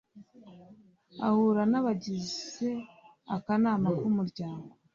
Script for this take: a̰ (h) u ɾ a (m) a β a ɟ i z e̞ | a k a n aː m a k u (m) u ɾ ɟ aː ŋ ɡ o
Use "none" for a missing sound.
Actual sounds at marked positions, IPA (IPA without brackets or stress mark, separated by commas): h, n, m